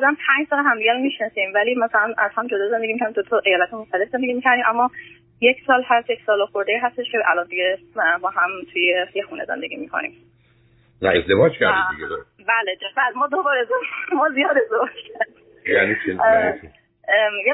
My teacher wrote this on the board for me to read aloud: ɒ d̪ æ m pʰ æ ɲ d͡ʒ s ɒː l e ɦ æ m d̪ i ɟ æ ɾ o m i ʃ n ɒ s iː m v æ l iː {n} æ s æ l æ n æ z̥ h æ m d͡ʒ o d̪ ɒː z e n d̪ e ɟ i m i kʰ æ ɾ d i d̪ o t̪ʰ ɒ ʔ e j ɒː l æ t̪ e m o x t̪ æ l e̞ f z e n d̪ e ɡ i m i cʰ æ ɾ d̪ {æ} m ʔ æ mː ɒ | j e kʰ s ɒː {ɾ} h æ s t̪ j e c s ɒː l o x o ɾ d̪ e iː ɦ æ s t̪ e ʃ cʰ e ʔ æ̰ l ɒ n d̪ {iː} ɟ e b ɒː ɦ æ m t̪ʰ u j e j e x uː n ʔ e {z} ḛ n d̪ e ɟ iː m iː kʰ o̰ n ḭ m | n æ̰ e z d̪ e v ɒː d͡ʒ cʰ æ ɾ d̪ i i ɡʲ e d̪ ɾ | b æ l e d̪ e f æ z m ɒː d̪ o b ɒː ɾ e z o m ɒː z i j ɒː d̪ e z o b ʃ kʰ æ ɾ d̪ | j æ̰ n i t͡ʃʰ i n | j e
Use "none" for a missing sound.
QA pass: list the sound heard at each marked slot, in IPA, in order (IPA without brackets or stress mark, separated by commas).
m, i, l, i, z